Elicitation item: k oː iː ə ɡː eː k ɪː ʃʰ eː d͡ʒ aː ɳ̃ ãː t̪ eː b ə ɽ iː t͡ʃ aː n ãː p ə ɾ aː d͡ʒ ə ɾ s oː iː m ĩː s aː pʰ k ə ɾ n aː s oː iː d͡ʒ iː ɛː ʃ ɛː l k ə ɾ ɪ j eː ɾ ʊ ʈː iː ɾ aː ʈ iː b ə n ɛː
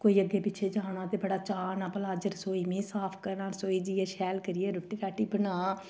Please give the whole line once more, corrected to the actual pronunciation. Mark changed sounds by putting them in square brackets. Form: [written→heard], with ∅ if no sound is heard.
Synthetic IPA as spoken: k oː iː ə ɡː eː [k→p] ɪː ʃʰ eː d͡ʒ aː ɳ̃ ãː t̪ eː b ə ɽ [iː→aː] t͡ʃ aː n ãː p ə [ɾ→l] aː d͡ʒ ə ɾ s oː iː m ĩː s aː pʰ k ə ɾ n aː s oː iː d͡ʒ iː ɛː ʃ ɛː l k ə ɾ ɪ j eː ɾ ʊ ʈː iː ɾ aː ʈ iː b ə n [ɛː→aː]